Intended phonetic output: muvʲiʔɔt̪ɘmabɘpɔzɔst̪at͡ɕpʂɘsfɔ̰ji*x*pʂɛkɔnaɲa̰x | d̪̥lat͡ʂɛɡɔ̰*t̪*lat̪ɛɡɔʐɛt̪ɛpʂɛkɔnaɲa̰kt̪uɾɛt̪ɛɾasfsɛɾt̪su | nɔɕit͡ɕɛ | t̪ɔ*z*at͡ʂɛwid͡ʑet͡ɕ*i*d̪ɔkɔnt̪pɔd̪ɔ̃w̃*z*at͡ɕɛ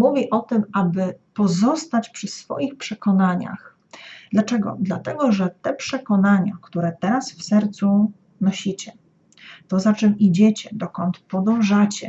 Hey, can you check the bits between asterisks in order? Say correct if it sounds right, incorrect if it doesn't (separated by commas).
correct, incorrect, correct, incorrect, incorrect